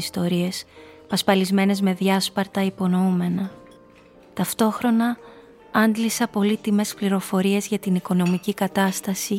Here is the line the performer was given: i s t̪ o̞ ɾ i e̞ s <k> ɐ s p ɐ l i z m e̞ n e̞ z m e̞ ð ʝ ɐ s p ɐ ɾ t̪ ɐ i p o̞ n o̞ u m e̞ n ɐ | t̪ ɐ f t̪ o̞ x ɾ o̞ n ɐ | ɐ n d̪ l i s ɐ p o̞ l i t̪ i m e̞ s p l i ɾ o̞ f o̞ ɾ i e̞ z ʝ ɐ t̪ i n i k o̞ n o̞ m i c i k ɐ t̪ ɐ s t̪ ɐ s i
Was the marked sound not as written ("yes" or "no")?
yes